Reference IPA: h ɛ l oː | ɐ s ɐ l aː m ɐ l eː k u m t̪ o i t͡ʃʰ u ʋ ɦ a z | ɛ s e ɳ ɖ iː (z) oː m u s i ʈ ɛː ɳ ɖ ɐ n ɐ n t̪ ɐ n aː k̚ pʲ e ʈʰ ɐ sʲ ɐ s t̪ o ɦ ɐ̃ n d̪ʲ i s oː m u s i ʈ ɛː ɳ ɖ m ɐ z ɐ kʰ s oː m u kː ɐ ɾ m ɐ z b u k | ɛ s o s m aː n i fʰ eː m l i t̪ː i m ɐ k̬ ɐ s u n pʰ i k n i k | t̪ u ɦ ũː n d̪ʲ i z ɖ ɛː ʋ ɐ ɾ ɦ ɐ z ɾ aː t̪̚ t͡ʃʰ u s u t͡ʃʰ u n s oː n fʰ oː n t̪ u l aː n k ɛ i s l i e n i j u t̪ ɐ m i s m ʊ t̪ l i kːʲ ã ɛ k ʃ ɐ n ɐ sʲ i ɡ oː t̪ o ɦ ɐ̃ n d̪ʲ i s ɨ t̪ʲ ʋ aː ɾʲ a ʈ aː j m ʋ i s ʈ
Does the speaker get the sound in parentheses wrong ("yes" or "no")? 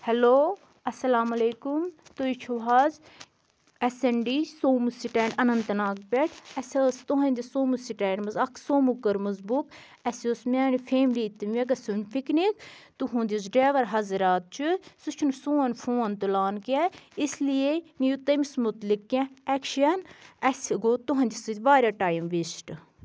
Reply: yes